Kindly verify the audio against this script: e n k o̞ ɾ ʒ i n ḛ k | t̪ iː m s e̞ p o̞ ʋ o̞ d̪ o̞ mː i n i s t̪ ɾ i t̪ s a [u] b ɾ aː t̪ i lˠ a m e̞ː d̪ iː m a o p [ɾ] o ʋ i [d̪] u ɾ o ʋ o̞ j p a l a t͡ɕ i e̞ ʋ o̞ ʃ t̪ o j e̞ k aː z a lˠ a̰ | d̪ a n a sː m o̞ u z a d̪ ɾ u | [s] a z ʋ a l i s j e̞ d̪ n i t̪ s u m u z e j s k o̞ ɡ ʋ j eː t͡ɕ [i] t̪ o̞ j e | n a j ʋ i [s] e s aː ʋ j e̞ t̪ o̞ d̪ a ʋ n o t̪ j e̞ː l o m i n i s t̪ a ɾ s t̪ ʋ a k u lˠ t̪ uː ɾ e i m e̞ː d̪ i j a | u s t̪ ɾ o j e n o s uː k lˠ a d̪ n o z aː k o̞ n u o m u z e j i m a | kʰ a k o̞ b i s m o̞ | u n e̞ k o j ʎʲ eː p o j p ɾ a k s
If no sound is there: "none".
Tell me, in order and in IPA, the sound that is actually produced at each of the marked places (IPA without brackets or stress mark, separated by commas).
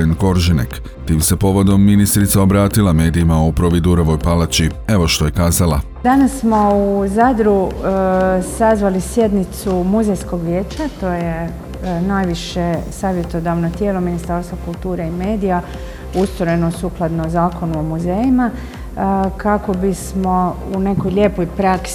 o, ɾ, d̪, s, a, ʃ